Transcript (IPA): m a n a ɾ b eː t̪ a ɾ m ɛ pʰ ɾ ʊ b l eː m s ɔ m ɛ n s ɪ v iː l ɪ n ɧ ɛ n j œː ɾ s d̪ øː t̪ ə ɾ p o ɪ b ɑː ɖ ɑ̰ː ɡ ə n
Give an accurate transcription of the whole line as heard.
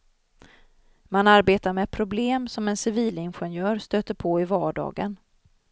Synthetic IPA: m a n a ɾ b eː t̪ a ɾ m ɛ pʰ ɾ ʊ b l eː m s ɔ m ɛ n s ɪ v iː l ɪ n ɧ ɛ n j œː ɾ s t̪ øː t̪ ə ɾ pʰ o ɪ v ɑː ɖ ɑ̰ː ɡ ə n